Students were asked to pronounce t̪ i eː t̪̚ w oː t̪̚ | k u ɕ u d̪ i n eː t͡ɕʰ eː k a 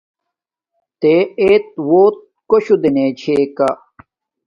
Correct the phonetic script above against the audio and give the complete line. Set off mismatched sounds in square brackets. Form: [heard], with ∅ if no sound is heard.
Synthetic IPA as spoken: t̪ [e] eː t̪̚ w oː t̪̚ | k [o] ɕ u d̪ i n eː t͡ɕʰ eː k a

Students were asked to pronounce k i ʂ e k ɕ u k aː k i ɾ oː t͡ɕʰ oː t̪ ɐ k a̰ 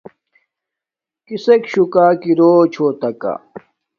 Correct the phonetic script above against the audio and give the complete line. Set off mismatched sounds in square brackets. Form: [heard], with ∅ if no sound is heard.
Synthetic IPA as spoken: k i [s] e k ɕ u k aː k i ɾ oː t͡ɕʰ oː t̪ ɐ k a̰

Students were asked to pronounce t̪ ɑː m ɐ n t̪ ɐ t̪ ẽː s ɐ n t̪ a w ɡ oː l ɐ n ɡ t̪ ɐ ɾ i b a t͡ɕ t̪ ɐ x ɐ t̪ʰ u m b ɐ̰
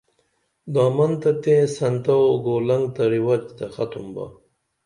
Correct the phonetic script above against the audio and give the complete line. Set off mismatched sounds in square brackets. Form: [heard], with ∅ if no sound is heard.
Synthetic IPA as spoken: [d̪] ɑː m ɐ n t̪ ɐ t̪ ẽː s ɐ n t̪ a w ɡ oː l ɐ [ŋ] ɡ t̪ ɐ ɾ i [w] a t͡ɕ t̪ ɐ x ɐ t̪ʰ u m b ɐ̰

